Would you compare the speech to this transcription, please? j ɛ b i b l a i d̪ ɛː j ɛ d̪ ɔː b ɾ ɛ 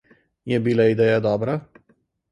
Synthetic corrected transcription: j ɛ b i l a i d̪ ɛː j a d̪ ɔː b ɾ a